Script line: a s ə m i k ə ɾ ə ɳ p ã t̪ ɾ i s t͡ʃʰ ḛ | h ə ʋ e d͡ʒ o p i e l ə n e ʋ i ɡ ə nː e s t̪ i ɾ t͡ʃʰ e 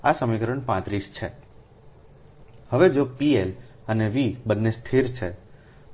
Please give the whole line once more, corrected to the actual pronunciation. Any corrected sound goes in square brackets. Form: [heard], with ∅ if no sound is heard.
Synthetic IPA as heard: a s ə m i k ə ɾ ə ɳ p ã t̪ ɾ i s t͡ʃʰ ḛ | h ə ʋ e d͡ʒ o p i e l ə n e ʋ i [b] ə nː e s [t̪ʰ] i ɾ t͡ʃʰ e